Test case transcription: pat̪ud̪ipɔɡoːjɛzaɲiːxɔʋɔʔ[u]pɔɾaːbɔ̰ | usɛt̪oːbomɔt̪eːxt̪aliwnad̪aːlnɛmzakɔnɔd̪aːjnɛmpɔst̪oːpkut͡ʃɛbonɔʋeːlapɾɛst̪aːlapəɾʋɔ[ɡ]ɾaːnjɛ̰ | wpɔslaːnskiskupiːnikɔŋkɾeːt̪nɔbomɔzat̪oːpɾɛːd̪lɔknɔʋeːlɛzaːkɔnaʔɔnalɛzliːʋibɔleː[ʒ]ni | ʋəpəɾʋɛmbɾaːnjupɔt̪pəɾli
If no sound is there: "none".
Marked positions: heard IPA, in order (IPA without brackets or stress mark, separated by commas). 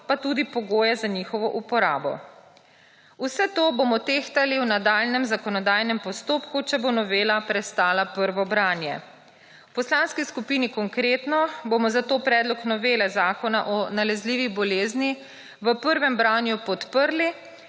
u, b, z